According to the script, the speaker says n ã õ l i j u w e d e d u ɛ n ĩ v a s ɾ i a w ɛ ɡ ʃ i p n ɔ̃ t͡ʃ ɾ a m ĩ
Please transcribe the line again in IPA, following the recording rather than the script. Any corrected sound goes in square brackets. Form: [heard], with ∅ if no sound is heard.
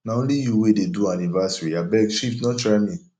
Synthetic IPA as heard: n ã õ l i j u w e d e d u [a] n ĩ v a s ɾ i a [b] ɛ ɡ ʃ i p n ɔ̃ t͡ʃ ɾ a m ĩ